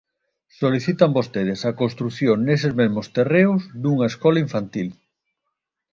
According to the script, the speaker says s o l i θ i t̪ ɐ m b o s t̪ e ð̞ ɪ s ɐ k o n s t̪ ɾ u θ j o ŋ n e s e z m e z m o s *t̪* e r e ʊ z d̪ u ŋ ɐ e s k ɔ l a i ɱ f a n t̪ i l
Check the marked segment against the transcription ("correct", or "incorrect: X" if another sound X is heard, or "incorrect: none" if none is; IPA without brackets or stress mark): correct